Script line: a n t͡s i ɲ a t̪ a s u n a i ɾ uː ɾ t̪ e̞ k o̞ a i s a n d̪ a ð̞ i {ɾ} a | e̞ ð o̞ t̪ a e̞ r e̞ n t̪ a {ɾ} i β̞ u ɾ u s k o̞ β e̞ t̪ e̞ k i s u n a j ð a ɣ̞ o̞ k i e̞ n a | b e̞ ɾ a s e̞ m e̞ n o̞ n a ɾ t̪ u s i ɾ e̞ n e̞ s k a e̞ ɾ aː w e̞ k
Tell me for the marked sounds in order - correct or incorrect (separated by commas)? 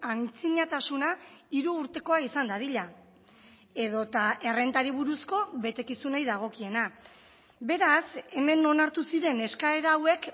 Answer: incorrect, correct